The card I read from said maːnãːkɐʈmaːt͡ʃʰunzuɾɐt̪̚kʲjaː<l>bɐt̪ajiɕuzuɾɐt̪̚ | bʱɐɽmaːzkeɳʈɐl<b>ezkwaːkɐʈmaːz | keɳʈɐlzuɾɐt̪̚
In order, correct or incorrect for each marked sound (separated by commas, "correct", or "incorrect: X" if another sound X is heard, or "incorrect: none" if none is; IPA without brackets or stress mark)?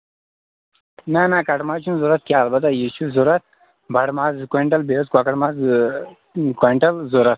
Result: correct, correct